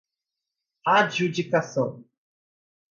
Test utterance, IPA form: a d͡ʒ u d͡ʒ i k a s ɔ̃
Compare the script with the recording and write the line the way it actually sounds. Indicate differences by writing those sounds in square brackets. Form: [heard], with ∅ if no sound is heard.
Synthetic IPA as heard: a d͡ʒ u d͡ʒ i k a s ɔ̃